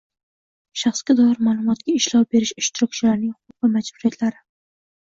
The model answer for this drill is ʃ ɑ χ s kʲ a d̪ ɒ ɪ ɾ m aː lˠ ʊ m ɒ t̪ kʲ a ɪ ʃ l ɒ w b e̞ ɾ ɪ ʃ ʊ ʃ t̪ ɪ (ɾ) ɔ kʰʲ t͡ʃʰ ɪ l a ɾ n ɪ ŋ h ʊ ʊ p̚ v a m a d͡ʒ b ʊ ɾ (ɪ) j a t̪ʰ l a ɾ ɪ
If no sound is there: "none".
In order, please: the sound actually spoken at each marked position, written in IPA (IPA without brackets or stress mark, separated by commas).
ɾ, i